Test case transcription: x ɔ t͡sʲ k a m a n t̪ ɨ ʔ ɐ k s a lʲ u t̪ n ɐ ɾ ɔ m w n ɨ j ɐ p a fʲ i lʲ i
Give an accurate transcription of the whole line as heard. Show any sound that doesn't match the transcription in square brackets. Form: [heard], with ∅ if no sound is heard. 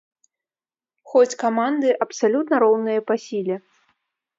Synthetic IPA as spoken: x ɔ t͡sʲ k a m a n [d̪] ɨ ʔ ɐ [p] s a lʲ u t̪ n ɐ ɾ ɔ [∅] w n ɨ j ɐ p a [sʲ] i lʲ [ɛ]

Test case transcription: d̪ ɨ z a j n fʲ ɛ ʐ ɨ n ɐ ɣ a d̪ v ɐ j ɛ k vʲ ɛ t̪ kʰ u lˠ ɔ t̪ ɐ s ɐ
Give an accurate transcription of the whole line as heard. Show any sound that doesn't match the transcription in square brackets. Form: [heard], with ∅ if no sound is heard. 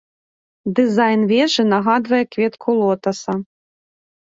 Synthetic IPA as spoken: d̪ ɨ z a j n [vʲ] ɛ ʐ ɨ n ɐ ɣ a d̪ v ɐ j ɛ k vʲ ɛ t̪ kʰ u lˠ ɔ t̪ ɐ s ɐ

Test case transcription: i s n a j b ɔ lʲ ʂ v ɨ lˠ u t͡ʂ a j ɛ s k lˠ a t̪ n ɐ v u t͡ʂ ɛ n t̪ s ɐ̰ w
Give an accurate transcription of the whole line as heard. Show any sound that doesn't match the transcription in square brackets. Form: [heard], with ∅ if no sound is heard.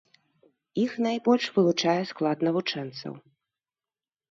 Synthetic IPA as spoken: i [x] n a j b ɔ lʲ ʂ v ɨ lˠ u t͡ʂ a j ɛ s k lˠ a t̪ n ɐ v u t͡ʂ ɛ n t̪ s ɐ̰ w

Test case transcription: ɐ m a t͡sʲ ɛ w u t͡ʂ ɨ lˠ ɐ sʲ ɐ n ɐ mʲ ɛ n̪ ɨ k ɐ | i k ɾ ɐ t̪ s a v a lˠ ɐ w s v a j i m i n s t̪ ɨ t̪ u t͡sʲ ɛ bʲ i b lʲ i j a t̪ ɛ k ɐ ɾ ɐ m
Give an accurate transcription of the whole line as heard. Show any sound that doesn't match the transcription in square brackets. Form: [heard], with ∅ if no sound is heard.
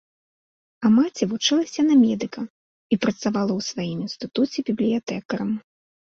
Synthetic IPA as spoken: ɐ m a t͡sʲ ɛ [v] u t͡ʂ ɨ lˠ ɐ sʲ ɐ n ɐ mʲ ɛ [d̪] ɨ k ɐ | i [p] ɾ ɐ t̪ s a v a lˠ ɐ w s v a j i m i n s t̪ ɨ t̪ u t͡sʲ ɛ bʲ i b lʲ i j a t̪ ɛ k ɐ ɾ ɐ m

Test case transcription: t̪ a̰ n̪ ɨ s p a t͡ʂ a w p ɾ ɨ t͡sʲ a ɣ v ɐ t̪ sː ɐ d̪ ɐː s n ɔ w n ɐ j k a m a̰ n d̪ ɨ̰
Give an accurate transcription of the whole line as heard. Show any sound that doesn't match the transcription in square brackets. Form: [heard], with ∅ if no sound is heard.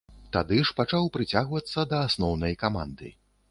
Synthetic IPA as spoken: t̪ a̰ [d̪] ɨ [ʂ] p a t͡ʂ a w p ɾ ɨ t͡sʲ a ɣ v ɐ t̪ sː ɐ d̪ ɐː s n ɔ w n ɐ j k a m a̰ n d̪ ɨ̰

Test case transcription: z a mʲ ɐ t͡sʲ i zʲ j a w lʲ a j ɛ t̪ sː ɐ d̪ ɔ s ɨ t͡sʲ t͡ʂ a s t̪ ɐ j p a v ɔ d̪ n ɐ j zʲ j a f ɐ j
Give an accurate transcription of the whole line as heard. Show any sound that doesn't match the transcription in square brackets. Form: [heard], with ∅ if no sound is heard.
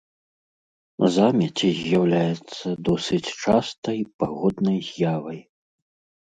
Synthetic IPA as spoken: z a mʲ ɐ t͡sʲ i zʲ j a w lʲ a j ɛ t̪ sː ɐ d̪ ɔ s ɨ t͡sʲ t͡ʂ a s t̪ ɐ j p a [ɣ] ɔ d̪ n ɐ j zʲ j a [v] ɐ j

